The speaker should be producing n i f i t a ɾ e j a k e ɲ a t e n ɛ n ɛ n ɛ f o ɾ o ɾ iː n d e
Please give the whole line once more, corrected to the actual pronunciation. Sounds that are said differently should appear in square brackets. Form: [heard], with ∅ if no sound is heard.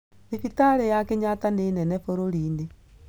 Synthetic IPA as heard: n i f i t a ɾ e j a k e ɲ a t [a] n [e] n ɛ n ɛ f o ɾ o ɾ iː n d e